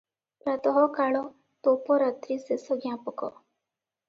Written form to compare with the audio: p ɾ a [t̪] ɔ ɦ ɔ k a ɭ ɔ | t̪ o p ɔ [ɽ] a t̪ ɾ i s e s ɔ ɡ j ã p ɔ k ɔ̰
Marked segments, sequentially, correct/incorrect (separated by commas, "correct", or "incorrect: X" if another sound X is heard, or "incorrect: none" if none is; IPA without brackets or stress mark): correct, incorrect: ɾ